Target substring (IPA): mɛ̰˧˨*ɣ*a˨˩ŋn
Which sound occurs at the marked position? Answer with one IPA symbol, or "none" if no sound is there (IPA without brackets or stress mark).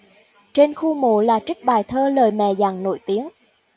z